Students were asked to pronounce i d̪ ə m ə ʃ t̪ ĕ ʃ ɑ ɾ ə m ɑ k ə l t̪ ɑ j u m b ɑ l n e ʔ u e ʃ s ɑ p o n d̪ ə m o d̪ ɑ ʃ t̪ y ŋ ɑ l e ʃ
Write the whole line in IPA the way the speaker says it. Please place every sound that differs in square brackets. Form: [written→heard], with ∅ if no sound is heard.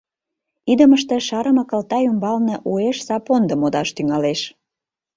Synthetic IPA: i d̪ ə m ə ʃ t̪ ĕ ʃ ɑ ɾ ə m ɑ k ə l t̪ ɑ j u m b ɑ l n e ʔ u e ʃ s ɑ p o n d̪ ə m o d̪ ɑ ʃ t̪ y ŋ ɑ l e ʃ